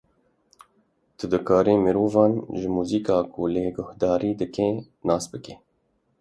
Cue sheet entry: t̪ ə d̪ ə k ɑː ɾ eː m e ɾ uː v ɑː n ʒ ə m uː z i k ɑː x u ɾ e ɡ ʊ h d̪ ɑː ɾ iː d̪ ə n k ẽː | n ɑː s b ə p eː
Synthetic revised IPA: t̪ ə d̪ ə k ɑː ɾ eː m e ɾ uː v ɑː n ʒ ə m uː z i k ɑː k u l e ɡ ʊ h d̪ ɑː ɾ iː d̪ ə k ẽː | n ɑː s b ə k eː